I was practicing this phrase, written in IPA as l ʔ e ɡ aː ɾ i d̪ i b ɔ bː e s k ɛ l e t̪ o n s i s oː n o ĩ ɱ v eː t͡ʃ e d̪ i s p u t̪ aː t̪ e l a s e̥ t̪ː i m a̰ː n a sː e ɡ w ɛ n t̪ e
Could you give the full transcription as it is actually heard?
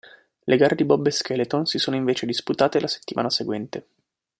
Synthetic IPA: l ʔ e ɡ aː ɾ e d̪ i b ɔ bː e s k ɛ l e t̪ o n s i s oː n o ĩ ɱ v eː t͡ʃ e d̪ i s p u t̪ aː t̪ e l a s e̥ t̪ː i m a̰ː n a s e ɡ w ɛ n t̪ e